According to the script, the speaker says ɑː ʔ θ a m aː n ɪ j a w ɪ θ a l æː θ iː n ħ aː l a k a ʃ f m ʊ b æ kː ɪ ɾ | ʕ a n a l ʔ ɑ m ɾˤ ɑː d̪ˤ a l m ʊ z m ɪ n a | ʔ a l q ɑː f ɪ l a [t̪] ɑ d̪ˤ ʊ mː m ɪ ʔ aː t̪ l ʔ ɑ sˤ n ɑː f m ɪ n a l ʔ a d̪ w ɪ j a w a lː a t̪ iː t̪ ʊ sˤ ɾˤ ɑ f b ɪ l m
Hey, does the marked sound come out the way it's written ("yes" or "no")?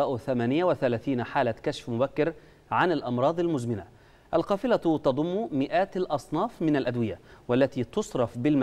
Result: yes